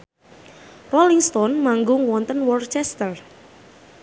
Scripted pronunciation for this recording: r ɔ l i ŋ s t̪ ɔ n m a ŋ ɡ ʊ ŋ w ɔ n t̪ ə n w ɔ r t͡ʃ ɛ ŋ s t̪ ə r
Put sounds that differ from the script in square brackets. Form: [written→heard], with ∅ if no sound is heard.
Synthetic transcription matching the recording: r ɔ l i ŋ s t̪ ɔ n m a ŋ ɡ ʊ ŋ w ɔ n t̪ ə n w ɔ r t͡ʃ ɛ [ŋ→∅] s t̪ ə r